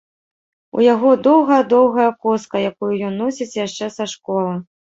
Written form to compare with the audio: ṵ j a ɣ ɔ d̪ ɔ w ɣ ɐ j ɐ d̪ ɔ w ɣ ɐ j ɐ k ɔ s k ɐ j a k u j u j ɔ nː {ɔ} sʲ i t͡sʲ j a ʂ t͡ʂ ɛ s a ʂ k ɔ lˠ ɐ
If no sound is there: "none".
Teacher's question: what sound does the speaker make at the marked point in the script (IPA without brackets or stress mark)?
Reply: ɔ